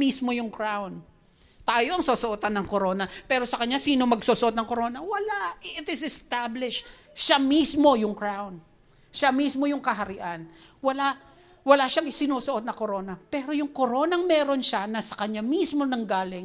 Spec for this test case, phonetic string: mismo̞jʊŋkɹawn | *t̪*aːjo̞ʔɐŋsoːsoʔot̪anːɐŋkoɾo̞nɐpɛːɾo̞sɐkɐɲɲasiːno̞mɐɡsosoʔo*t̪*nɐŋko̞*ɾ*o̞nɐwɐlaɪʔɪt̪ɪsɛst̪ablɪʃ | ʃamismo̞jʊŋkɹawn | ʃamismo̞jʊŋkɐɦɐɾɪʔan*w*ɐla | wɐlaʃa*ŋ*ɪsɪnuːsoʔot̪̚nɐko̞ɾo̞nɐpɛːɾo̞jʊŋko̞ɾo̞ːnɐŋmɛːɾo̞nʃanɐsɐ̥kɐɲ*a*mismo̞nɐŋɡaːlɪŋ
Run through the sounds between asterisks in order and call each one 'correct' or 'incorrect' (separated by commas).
correct, correct, correct, correct, correct, correct